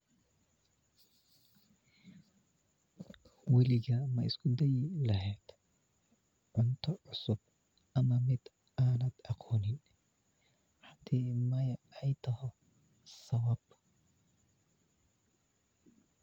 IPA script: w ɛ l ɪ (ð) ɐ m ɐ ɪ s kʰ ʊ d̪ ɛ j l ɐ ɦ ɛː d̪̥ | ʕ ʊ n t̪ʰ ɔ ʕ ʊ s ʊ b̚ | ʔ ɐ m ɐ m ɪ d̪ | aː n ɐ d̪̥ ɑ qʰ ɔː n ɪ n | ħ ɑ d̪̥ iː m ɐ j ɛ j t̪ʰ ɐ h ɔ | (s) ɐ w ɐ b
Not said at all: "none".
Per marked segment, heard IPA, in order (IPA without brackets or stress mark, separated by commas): ɣ, s